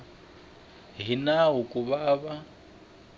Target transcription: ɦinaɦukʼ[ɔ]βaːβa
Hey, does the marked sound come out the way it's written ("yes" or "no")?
no